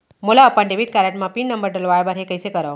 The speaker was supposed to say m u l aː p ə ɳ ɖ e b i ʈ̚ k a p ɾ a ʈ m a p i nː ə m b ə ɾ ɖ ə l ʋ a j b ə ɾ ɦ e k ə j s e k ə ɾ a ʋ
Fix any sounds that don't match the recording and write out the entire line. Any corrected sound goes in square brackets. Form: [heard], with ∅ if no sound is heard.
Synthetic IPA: m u l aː p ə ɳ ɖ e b i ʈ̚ k a [∅] ɾ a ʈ m a p i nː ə m b ə ɾ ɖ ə l ʋ a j b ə ɾ ɦ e k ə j s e k ə ɾ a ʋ